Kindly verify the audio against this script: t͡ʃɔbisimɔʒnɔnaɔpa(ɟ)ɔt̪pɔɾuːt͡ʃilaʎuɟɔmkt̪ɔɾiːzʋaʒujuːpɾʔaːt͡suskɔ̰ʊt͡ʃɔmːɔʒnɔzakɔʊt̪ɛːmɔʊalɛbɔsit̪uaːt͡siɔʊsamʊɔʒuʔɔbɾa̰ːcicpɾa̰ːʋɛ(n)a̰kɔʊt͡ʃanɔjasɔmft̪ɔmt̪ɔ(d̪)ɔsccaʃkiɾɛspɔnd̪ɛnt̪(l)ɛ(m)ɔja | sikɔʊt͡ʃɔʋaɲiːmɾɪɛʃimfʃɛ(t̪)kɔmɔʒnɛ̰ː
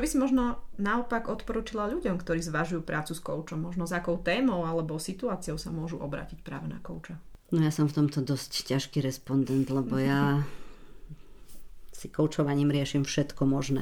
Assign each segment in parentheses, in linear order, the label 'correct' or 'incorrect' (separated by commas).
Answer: incorrect, correct, correct, correct, incorrect, correct